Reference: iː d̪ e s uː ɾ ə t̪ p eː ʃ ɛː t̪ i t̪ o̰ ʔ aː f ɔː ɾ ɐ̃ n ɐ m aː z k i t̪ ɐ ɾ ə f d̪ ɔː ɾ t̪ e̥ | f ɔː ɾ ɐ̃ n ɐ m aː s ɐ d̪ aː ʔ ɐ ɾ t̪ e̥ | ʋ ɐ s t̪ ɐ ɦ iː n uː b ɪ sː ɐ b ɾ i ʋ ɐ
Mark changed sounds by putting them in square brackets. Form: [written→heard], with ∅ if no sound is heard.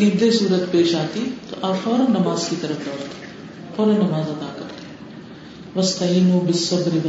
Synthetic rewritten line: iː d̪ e s uː ɾ ə t̪ p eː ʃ [ɛː→aː] t̪ i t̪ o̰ ʔ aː f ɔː ɾ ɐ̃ n ɐ m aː z k i t̪ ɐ ɾ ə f d̪ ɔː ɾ t̪ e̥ | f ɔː ɾ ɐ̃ n ɐ m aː [s→z] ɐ d̪ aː [ʔ→k] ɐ ɾ t̪ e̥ | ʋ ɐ s t̪ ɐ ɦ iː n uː b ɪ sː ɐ b ɾ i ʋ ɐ